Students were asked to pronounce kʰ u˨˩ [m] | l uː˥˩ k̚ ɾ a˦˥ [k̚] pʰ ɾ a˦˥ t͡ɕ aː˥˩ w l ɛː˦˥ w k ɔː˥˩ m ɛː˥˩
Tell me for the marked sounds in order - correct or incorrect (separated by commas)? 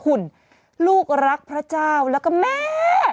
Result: incorrect, correct